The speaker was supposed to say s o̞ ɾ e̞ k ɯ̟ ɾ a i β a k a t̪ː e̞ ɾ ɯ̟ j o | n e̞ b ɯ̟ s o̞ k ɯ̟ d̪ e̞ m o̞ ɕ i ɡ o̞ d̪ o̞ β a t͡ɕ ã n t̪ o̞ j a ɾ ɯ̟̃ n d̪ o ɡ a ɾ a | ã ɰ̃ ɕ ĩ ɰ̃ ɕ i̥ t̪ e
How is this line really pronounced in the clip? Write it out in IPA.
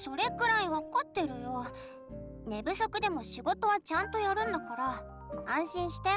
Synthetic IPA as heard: s o̞ ɾ e̞ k ɯ̟ ɾ a i β a k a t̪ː e̞ ɾ ɯ̟ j o | n e̞ b ɯ̟ s o̞ k ɯ̟ d̪ e̞ m o̞ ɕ i ɡ o̞ t̪ o̞ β a t͡ɕ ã n t̪ o̞ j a ɾ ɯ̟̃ n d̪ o k a ɾ a | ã ɰ̃ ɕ ĩ ɰ̃ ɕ i̥ t̪ e